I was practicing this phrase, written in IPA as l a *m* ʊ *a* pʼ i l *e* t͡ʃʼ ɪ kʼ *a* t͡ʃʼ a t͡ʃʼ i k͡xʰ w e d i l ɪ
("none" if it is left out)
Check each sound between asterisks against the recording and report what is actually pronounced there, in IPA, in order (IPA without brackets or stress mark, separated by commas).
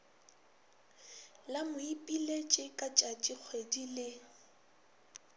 m, i, e, a